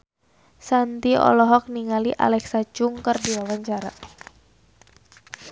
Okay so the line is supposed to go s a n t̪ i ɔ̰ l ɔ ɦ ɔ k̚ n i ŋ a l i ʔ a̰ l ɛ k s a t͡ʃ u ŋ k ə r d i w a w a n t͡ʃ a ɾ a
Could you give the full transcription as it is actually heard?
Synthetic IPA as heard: s a n t̪ i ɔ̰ l ɔ ɦ ɔ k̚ n i ŋ a l i ʔ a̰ l ɛ k s a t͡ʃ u ŋ k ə r d i w a w a ɲ t͡ʃ a ɾ a